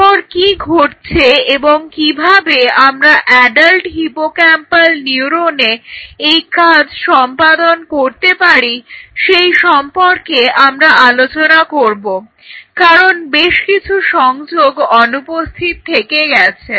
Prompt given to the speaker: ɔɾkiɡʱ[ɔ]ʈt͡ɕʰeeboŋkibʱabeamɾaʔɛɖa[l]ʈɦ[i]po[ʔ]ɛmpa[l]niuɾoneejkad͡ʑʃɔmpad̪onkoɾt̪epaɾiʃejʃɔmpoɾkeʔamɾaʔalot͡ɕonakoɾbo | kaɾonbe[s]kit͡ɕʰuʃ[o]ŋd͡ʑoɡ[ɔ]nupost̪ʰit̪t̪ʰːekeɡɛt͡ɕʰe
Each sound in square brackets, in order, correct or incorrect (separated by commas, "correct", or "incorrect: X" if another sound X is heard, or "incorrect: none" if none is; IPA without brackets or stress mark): incorrect: o, correct, correct, incorrect: k, correct, incorrect: ʃ, incorrect: ɔ, correct